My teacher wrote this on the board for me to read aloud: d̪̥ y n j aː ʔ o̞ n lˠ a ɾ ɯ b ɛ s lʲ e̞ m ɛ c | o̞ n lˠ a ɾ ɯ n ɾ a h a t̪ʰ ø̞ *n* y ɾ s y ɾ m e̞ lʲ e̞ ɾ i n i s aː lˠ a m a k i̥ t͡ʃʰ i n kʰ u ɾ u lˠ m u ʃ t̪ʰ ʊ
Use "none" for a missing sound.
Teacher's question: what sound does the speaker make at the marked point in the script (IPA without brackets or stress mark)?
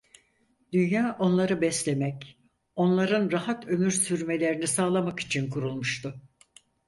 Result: m